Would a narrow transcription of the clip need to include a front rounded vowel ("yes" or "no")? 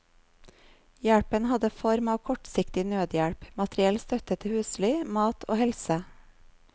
yes